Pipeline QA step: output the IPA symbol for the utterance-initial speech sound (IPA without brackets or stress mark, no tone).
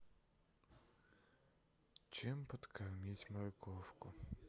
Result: t͡ʃ